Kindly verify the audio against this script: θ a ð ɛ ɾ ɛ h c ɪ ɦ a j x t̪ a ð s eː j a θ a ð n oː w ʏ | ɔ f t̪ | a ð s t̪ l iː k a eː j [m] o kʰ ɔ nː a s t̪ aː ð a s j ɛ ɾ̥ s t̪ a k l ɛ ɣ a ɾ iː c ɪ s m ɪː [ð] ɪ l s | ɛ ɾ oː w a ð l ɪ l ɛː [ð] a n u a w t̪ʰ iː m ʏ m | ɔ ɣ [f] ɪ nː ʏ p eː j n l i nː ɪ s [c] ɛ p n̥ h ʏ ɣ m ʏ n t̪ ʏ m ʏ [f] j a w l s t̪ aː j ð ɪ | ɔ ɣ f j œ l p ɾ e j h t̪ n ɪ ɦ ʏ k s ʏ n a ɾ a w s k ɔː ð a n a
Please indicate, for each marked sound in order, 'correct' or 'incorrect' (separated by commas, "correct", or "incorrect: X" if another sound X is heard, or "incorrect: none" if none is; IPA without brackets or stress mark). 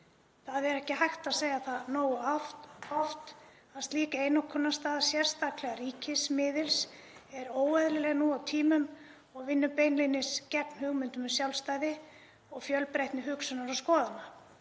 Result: incorrect: n, correct, incorrect: ɣ, incorrect: v, correct, incorrect: s